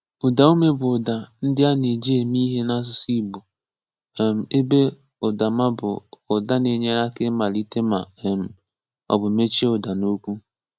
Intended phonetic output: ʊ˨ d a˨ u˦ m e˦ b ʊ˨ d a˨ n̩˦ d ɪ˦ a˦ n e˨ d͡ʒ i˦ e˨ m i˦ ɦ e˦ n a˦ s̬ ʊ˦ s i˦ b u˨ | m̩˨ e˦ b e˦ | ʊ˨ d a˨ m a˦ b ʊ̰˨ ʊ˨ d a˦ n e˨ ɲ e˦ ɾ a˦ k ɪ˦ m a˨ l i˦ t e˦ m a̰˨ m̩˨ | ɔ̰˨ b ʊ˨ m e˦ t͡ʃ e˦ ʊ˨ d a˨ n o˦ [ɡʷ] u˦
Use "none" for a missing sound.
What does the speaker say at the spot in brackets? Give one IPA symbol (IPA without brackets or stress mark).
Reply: kʷ